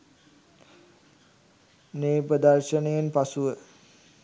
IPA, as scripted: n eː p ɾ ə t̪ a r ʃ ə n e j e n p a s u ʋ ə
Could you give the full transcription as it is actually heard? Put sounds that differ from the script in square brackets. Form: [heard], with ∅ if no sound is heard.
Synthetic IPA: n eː p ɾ ə [d̪] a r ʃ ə n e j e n p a s u ʋ ə